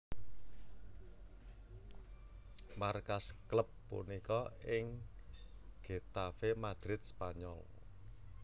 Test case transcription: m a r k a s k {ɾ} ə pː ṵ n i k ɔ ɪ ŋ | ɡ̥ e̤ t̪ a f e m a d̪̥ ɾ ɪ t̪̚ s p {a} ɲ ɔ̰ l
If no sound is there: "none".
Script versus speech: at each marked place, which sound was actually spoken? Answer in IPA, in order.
l, a

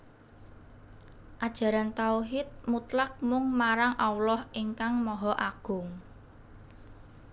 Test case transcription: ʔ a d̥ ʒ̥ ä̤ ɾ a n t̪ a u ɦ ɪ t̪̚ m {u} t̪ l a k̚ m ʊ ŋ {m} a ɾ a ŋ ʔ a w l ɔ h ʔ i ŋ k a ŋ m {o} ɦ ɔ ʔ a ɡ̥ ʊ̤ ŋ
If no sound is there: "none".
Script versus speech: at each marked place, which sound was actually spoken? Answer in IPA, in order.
u, m, ɔ

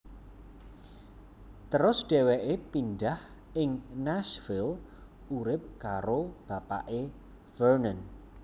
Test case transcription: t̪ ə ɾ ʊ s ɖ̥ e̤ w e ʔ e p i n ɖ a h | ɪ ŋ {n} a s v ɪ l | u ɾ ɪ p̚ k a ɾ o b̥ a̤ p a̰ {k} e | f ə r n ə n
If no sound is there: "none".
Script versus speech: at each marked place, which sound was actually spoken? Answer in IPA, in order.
n, ʔ

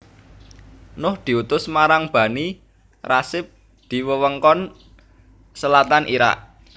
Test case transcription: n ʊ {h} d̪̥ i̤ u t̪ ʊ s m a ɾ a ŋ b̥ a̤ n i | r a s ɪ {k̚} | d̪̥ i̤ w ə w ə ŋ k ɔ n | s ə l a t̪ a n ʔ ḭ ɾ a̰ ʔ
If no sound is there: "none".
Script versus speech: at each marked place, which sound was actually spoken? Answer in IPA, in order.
h, p̚

